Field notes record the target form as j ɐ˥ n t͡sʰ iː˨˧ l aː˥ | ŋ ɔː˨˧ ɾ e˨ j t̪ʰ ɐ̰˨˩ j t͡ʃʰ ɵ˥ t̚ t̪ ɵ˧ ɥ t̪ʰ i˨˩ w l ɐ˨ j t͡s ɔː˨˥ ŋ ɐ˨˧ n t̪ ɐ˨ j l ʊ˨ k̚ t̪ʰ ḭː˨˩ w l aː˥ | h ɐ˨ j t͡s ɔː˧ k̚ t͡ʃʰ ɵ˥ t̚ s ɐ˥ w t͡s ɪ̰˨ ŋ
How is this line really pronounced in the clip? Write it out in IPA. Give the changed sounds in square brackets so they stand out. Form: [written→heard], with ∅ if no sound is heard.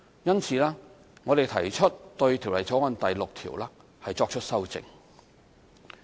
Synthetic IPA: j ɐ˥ n t͡sʰ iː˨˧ l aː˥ | ŋ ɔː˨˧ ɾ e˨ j t̪ʰ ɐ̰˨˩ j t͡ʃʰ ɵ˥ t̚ t̪ ɵ˧ ɥ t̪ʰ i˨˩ w l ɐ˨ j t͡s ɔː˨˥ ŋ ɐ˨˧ n t̪ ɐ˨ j l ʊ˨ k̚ t̪ʰ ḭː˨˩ w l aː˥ | h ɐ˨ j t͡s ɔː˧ k̚ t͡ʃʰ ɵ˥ t̚ s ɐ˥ w t͡s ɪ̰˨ ŋ